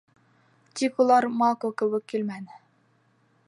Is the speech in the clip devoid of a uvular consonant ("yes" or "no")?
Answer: yes